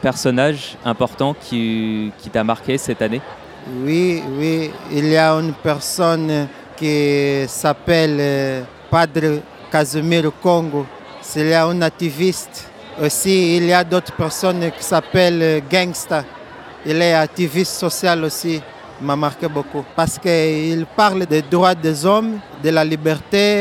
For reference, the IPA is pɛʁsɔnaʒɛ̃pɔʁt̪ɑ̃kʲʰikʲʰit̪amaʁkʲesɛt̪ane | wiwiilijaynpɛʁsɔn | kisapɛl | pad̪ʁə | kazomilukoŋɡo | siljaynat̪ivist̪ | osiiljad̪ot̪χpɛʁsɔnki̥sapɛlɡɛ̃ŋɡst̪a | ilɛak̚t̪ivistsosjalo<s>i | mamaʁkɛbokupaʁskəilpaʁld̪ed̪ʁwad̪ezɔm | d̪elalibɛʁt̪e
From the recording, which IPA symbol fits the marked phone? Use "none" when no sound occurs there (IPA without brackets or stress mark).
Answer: s